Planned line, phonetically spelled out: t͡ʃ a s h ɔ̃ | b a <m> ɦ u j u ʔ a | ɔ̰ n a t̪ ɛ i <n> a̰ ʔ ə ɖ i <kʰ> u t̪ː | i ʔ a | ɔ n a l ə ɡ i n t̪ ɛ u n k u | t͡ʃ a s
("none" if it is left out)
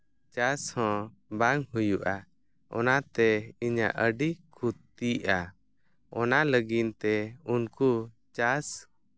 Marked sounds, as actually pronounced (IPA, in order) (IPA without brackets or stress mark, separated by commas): ŋ, ɲ, kʰ